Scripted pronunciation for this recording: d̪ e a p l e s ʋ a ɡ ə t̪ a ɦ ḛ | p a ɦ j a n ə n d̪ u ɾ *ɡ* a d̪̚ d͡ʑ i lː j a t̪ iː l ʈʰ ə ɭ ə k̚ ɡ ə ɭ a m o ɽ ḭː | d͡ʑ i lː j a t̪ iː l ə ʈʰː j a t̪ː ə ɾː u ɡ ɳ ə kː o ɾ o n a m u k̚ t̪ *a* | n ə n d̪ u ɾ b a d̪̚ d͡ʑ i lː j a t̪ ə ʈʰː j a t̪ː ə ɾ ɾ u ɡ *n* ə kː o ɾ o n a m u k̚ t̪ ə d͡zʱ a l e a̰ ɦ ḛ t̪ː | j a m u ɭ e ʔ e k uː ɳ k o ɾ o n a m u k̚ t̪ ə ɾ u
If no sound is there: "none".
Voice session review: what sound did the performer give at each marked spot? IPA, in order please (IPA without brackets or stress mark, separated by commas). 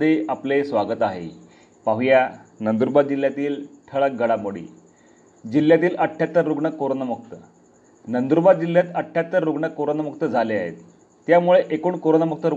b, ə, ɳ